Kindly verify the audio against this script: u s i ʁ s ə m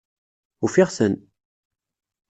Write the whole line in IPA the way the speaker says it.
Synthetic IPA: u f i ʁ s ə n